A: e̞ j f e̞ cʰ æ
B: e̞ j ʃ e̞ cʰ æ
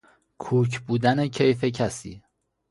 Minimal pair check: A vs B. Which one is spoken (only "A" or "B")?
A